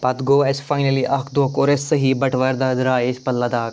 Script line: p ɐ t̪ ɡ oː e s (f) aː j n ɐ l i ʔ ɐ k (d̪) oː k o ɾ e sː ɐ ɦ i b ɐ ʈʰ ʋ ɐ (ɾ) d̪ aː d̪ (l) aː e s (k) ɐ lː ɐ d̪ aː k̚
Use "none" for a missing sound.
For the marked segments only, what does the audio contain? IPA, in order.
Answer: f, d̪, ɾ, ɾ, p

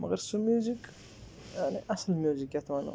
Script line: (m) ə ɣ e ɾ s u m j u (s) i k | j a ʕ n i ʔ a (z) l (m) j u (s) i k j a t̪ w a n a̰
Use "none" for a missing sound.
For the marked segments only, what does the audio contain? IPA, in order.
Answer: m, z, s, m, z

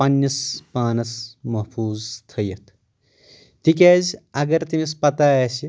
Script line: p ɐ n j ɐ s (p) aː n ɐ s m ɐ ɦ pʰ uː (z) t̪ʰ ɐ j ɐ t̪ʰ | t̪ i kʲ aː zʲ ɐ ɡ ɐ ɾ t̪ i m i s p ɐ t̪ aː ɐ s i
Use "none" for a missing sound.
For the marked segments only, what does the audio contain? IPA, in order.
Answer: p, z

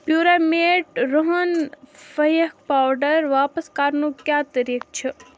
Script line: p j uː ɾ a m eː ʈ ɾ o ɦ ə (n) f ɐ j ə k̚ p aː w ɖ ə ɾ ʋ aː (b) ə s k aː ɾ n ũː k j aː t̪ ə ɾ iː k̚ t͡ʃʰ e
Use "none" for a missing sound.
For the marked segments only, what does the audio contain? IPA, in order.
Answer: n, p

